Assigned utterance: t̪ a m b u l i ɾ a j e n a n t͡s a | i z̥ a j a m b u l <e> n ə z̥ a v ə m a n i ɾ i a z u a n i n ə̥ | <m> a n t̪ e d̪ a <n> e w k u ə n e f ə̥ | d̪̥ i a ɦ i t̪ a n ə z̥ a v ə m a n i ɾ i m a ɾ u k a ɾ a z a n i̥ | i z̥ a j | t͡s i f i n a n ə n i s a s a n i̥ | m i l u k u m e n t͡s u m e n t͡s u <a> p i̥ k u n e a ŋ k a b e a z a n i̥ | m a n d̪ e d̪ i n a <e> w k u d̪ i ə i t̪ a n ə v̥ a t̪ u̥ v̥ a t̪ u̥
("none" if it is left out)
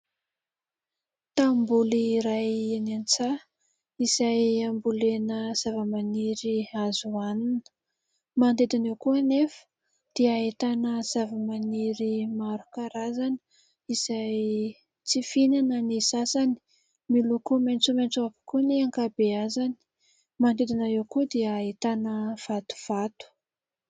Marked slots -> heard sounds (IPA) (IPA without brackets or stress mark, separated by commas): e, m, n, a, e